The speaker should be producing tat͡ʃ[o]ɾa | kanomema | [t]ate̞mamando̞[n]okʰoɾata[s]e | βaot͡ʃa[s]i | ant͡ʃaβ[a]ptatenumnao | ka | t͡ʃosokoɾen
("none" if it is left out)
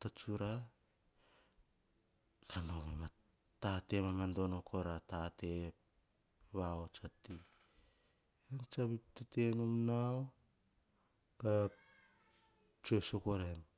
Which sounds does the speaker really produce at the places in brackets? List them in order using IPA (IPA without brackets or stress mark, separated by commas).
u, t, n, t, t, i